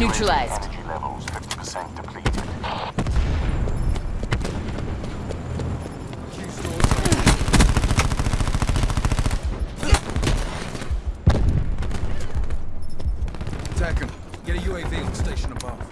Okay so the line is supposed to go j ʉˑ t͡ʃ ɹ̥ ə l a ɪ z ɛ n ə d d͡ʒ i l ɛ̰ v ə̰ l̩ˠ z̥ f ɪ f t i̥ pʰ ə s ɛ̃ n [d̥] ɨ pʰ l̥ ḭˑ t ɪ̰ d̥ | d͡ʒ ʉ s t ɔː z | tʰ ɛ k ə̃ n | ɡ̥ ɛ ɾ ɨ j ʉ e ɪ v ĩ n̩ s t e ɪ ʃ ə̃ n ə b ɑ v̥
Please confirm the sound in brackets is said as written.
yes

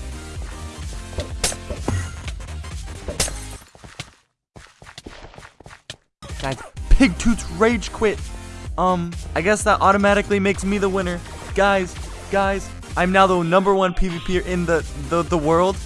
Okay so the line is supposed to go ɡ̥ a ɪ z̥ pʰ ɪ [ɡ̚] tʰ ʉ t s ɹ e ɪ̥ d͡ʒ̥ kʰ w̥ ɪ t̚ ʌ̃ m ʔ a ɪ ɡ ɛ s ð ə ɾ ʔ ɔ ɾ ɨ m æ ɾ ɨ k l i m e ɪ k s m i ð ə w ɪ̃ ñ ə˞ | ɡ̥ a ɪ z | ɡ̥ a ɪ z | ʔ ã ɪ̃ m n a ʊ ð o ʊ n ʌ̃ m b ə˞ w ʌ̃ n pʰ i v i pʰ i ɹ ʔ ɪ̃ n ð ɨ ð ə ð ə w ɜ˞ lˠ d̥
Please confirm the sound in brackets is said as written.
yes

